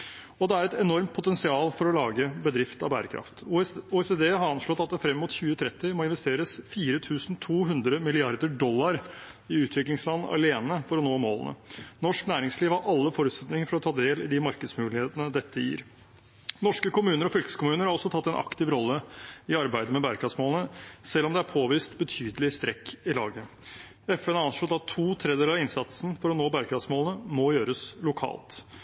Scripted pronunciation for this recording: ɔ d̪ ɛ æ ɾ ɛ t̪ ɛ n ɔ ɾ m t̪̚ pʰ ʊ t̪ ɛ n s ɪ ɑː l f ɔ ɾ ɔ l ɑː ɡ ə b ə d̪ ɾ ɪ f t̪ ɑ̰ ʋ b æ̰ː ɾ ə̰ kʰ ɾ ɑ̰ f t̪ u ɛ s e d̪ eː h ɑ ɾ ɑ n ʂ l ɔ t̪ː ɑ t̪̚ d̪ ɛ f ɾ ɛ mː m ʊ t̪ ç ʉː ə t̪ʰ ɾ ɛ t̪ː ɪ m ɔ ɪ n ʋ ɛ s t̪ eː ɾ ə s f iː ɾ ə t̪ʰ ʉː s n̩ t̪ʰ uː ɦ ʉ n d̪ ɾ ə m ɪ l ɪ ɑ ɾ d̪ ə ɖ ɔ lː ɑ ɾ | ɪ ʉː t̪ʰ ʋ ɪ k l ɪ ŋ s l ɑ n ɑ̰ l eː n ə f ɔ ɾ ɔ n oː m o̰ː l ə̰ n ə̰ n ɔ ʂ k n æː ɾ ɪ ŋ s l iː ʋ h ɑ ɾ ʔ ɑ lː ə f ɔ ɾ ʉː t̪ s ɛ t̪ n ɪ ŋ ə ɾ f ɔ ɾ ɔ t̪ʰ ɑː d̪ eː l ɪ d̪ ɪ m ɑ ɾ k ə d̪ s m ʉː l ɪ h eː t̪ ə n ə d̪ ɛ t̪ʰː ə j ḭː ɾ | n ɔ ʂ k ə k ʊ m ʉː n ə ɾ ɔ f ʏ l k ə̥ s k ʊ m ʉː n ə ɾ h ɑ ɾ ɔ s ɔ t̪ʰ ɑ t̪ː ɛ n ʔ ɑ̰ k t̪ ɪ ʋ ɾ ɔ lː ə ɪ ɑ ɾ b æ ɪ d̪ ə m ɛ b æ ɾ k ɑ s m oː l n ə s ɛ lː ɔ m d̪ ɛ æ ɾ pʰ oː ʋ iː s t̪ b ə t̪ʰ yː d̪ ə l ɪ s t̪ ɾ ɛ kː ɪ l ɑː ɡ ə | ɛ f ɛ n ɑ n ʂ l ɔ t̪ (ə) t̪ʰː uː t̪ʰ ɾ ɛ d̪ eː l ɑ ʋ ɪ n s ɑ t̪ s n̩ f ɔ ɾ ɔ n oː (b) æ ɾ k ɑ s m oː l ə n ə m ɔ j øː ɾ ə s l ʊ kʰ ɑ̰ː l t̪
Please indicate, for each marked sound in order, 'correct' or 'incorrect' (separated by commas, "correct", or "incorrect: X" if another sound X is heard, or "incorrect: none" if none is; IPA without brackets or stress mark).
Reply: incorrect: ɑ, correct